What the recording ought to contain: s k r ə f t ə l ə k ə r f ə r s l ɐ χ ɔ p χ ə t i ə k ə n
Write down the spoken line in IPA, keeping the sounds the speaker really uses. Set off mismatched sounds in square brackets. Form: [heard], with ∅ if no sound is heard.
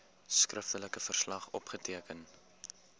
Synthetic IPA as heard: s k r ə f t ə l ə k ə [∅] f ə r s l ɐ χ ɔ p χ ə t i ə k ə n